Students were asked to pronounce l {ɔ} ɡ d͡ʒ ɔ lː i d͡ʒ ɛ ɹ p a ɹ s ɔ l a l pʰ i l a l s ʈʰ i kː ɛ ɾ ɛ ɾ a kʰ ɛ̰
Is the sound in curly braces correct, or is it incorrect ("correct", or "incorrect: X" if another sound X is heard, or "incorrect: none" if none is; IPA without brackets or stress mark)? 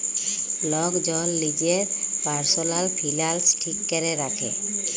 correct